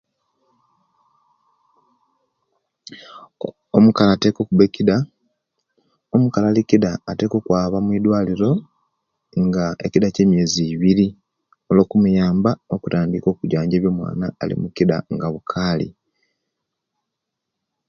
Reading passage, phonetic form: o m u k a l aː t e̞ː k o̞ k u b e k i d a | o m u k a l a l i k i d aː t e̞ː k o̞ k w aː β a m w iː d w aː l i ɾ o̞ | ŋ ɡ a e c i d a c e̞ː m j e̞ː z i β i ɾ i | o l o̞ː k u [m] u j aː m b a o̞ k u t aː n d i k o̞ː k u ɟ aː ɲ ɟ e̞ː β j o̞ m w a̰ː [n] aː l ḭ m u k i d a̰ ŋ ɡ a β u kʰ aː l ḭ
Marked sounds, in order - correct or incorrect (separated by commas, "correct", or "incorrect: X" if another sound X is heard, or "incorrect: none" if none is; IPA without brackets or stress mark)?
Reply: correct, correct